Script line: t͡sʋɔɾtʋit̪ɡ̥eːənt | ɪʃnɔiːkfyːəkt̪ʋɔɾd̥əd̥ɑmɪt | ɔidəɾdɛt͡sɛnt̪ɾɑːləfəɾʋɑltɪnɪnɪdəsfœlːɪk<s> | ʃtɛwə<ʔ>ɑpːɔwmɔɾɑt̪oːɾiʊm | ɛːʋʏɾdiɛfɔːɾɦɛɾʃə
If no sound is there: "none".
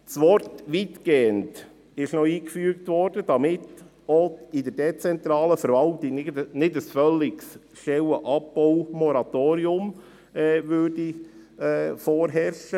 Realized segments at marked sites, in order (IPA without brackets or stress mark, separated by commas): s, ʔ